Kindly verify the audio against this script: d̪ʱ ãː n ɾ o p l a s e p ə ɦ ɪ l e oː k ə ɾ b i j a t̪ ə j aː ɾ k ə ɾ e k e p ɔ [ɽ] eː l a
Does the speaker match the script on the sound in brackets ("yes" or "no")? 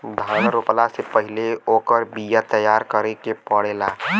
yes